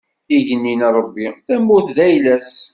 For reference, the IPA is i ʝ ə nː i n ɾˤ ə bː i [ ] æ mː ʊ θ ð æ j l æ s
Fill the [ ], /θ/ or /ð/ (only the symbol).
θ